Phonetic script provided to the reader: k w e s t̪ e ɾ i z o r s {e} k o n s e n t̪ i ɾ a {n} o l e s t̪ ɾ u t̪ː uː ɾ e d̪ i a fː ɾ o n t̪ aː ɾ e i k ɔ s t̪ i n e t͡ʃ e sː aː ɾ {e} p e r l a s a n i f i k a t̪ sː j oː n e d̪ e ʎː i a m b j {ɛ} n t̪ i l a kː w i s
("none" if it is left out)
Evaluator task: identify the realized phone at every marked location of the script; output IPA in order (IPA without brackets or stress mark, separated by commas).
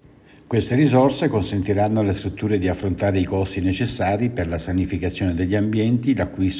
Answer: e, nː, i, ɛ